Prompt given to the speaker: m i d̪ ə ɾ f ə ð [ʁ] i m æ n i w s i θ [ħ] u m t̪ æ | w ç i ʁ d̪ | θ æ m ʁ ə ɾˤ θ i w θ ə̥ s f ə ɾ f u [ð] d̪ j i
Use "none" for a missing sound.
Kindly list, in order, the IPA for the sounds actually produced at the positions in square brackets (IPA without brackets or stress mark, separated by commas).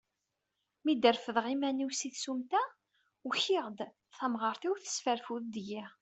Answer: ʁ, s, ð